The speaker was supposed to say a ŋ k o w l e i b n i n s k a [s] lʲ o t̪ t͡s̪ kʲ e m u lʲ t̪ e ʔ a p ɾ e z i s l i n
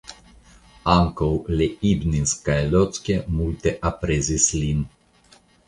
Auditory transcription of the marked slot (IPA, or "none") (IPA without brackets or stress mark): none